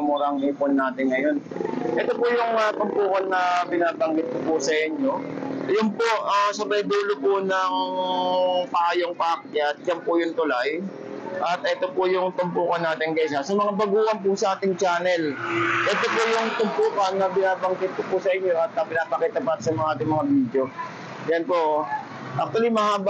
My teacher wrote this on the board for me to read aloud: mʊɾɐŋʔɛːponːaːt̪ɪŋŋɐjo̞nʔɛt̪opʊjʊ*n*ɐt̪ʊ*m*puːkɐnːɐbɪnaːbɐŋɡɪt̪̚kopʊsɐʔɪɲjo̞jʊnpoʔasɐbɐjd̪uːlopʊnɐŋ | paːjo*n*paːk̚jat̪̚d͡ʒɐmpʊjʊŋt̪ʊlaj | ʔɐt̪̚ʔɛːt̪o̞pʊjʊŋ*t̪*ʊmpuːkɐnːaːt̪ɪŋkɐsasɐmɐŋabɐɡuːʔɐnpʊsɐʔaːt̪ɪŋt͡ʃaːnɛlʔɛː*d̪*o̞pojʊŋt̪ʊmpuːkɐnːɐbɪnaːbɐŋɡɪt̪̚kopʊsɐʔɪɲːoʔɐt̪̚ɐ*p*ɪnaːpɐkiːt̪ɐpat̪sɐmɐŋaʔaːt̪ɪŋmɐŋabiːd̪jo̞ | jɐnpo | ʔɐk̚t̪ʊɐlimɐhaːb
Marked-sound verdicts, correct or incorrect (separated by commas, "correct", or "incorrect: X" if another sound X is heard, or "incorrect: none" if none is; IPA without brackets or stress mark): incorrect: ŋ, correct, incorrect: ŋ, correct, incorrect: t̪, correct